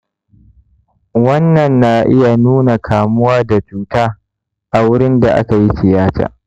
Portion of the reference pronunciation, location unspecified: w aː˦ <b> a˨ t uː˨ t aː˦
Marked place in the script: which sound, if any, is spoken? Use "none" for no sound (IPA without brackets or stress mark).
d